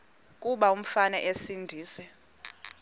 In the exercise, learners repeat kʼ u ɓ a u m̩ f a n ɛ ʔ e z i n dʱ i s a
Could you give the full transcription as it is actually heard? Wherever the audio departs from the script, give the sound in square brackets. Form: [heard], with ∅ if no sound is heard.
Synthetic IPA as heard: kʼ u ɓ a u m̩ f a n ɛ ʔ e [s] i n dʱ [iː] s [ɛ]